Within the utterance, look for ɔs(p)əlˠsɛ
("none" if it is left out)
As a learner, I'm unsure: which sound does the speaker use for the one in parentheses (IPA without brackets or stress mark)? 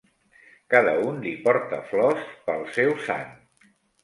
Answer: p